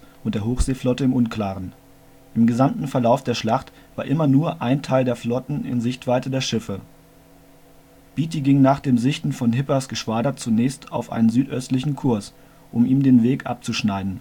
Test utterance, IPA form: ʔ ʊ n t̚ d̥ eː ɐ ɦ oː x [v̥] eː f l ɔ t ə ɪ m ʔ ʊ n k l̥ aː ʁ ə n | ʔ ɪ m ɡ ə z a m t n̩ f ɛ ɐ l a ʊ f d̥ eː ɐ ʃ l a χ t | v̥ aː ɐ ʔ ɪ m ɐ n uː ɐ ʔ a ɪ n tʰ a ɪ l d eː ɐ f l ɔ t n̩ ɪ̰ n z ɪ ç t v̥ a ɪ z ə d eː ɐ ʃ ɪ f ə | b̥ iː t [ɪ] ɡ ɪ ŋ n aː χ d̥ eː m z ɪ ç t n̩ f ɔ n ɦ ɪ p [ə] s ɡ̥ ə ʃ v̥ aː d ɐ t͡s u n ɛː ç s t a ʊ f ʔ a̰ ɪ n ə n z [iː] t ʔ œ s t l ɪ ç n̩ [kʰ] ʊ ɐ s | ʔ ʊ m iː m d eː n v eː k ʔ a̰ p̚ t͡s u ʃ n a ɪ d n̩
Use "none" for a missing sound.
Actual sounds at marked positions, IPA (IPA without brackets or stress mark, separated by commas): z̥, i, ɐ, yː, kʰ